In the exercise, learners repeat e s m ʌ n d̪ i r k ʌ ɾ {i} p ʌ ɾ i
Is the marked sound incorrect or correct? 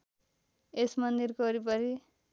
correct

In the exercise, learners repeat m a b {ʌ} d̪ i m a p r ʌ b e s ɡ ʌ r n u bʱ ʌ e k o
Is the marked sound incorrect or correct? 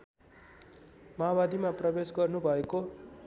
incorrect: a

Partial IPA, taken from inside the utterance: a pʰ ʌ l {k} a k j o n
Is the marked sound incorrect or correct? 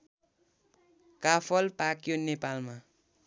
incorrect: p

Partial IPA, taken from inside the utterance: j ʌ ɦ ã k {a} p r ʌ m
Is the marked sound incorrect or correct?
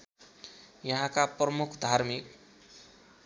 correct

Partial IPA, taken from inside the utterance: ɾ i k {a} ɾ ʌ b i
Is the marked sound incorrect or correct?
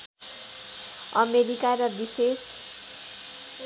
correct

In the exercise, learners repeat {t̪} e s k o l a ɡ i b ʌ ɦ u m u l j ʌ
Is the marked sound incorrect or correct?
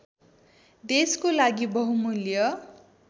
incorrect: d̪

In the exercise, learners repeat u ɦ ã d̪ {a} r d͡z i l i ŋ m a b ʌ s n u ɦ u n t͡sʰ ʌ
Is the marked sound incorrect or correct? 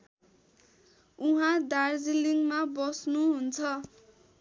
correct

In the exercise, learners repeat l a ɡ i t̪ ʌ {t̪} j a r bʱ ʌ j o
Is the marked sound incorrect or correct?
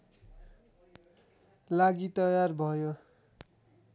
incorrect: none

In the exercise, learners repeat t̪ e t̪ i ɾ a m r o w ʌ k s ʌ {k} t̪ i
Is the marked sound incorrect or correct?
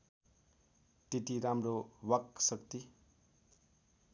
correct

